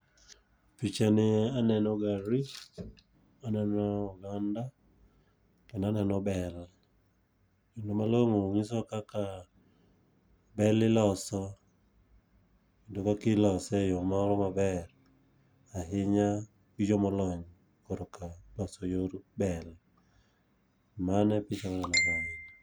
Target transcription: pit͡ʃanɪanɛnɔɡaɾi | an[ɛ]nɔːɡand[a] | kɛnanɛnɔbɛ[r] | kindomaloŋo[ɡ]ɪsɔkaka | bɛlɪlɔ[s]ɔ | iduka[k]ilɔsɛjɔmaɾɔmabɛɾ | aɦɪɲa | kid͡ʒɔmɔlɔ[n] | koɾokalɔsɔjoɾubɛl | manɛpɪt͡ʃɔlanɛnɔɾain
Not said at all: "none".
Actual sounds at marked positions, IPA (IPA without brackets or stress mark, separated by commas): ɛ, a, l, ŋ, s, k, ɲ